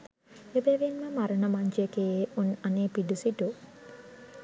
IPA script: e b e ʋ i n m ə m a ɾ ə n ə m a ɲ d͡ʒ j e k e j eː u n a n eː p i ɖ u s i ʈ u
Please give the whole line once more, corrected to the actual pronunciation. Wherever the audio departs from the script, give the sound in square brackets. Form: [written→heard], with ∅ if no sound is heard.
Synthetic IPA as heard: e b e ʋ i n m ə m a ɾ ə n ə m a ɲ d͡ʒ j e k e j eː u n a n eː p i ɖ u s i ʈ u